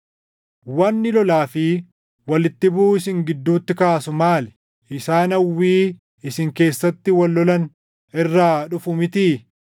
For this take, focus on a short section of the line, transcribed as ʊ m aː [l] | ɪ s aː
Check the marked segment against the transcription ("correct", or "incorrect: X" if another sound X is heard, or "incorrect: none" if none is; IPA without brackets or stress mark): correct